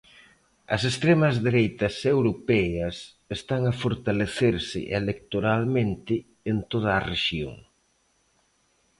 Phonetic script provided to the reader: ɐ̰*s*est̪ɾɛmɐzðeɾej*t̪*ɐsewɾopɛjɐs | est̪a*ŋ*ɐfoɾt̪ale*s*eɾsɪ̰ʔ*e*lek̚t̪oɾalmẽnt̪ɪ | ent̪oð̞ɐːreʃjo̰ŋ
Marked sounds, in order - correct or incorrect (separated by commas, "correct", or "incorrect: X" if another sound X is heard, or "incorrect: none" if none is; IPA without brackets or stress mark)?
correct, correct, correct, incorrect: θ, correct